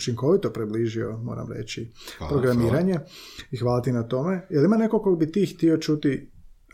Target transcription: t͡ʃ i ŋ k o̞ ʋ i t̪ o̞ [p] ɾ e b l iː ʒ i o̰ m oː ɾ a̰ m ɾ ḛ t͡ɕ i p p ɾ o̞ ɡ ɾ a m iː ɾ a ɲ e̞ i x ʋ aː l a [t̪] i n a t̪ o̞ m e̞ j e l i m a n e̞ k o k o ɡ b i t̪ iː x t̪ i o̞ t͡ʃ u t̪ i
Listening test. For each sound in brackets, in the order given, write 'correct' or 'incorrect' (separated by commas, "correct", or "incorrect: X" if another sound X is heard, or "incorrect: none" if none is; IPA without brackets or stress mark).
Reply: correct, correct